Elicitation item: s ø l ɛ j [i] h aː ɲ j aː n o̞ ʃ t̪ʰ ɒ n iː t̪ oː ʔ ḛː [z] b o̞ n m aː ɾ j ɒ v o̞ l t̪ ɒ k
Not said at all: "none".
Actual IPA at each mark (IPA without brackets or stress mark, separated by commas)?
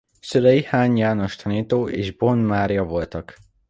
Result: i, ʒ